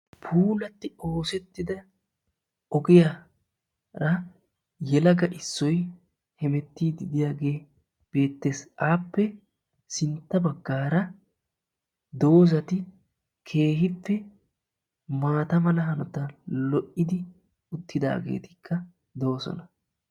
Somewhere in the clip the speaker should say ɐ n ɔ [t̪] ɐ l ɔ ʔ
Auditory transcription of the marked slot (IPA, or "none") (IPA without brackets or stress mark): t̪